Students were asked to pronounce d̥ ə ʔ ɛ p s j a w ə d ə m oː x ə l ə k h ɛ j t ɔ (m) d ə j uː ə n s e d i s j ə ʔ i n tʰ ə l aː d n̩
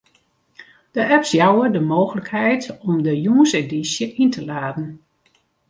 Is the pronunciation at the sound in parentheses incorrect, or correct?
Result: correct